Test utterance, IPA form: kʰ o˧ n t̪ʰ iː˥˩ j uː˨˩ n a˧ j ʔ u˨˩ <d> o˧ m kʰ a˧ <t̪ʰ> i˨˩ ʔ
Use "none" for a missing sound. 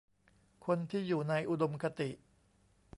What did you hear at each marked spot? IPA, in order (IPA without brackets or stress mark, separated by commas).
d, t̪